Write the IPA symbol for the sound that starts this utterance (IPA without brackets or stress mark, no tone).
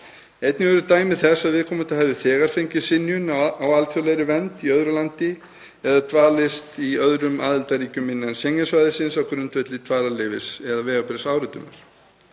e